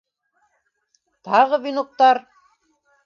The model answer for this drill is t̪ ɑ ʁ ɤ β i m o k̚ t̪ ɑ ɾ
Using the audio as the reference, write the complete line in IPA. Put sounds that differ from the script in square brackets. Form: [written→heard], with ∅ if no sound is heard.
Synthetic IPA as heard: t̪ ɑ ʁ ɤ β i [m→n] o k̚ t̪ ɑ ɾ

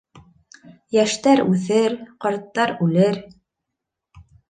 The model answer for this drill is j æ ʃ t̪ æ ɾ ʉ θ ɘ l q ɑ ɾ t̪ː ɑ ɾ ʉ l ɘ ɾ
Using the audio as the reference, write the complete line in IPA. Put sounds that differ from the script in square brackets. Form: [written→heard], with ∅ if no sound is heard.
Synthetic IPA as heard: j æ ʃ t̪ æ ɾ ʉ θ ɘ [l→ɾ] q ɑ ɾ t̪ː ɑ ɾ ʉ l ɘ ɾ

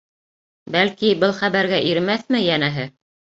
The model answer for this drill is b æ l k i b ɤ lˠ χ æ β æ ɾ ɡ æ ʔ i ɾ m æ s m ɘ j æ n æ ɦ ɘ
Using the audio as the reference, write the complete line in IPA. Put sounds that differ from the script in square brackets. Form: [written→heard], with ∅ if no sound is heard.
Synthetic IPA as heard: b æ l k i b ɤ lˠ χ æ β æ ɾ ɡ æ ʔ i ɾ m æ [s→θ] m ɘ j æ n æ ɦ ɘ

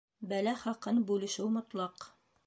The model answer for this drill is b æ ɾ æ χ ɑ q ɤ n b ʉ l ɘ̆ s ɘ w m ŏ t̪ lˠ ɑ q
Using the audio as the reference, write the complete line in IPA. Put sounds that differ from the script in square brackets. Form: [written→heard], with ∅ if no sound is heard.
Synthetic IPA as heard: b æ [ɾ→l] æ χ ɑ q ɤ n b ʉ l ɘ̆ [s→ʃ] ɘ w m ŏ t̪ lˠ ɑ q

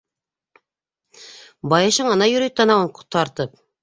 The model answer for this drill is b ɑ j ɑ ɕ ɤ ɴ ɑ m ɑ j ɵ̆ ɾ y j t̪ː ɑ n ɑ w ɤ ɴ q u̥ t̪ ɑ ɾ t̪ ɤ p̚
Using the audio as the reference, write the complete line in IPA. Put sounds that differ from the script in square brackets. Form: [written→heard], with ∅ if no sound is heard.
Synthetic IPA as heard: b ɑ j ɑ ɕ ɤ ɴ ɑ [m→n] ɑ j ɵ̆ ɾ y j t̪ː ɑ n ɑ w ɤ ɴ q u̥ t̪ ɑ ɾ t̪ ɤ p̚

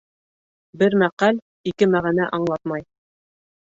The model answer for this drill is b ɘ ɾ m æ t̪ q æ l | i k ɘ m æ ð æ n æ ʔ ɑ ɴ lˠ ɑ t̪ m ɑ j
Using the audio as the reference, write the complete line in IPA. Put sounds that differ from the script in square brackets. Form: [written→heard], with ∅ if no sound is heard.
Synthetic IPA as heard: b ɘ ɾ m æ [t̪→∅] q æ l | i k ɘ m æ [ð→ʁ] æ n æ ʔ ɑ ɴ lˠ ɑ t̪ m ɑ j

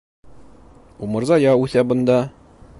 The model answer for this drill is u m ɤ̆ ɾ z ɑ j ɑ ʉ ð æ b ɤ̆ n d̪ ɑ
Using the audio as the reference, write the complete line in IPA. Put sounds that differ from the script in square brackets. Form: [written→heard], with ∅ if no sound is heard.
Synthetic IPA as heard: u m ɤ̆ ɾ z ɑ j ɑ ʉ [ð→θ] æ b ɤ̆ n d̪ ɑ

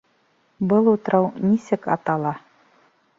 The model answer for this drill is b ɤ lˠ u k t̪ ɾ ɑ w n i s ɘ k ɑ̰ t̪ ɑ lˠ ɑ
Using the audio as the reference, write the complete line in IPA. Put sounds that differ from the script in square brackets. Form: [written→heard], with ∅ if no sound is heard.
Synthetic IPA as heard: b ɤ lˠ u [k→∅] t̪ ɾ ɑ w n i s ɘ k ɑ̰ t̪ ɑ lˠ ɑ

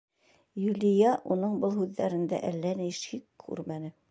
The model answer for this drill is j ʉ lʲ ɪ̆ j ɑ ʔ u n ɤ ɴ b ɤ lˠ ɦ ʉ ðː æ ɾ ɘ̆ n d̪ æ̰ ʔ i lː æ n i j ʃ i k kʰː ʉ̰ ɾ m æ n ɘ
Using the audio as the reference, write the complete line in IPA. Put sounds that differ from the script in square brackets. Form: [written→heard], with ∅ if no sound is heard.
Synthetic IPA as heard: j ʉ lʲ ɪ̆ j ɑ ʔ u n ɤ ɴ b ɤ lˠ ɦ ʉ ðː æ ɾ ɘ̆ n d̪ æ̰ ʔ [i→æ] lː æ n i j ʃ i k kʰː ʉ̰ ɾ m æ n ɘ

